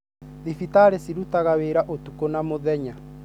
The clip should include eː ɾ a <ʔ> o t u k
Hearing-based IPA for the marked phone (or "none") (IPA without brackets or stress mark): ʔ